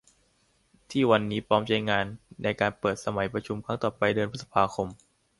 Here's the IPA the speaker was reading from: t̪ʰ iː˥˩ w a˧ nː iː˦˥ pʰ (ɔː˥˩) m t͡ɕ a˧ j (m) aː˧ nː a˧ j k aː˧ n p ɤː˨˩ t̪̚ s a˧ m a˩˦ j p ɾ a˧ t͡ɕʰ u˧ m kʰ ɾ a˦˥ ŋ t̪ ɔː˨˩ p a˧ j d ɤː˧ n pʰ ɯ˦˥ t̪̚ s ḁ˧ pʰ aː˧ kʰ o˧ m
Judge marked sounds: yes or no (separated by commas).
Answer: no, no